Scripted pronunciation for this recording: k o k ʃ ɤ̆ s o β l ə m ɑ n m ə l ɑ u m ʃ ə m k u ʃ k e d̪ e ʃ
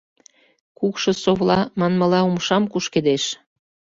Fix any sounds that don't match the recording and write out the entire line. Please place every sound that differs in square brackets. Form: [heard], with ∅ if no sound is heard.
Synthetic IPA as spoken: k [u] k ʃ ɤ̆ s o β l [ɑ] m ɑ n m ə l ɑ u m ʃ [ɑ] m k u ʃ k e d̪ e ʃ